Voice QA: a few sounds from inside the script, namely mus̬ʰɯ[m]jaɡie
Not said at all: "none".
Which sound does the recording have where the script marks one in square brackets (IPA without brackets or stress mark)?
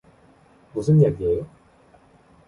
n